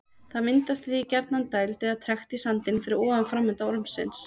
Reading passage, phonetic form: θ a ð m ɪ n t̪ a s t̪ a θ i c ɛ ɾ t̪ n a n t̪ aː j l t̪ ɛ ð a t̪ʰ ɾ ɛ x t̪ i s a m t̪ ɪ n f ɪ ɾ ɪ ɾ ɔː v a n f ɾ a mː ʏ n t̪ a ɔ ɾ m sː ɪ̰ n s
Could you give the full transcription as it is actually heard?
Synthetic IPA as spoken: θ a ð m ɪ n t̪ a s t̪ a θ i c ɛ ɾ t̪ n a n t̪ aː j l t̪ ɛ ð a t̪ʰ ɾ ɛ x t̪ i s a n t̪ ɪ n f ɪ ɾ ɪ ɾ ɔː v a n f ɾ a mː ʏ n t̪ a ɔ ɾ m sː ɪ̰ n s